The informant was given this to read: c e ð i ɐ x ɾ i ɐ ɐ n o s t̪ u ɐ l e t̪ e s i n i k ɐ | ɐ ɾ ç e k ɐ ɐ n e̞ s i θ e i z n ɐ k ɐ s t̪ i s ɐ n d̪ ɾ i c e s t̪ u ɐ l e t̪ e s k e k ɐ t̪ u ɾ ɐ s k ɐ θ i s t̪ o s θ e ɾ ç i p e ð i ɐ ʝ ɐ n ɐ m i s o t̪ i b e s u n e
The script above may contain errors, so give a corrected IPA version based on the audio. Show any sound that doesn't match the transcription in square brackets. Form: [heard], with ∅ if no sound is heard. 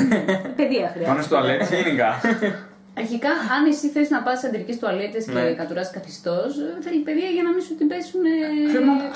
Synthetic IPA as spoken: [p] e ð i ɐ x ɾ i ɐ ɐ n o s t̪ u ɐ l e t̪ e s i n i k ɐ | ɐ ɾ ç [i] k ɐ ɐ n e̞ s i θ e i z n ɐ [p] ɐ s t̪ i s ɐ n d̪ ɾ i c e s t̪ u ɐ l e t̪ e s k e k ɐ t̪ u ɾ ɐ s k ɐ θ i s t̪ o s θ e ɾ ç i p e ð i ɐ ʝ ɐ n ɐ m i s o t̪ i b e s u n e